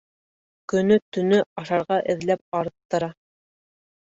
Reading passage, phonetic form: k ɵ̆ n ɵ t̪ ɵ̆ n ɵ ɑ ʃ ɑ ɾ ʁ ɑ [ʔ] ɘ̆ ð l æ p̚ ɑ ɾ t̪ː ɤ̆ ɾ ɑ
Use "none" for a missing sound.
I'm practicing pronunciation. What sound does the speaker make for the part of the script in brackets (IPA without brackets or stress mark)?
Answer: ʔ